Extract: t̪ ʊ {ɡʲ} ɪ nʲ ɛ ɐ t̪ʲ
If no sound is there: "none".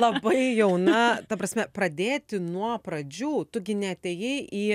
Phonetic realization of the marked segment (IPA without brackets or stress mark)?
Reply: ɡʲ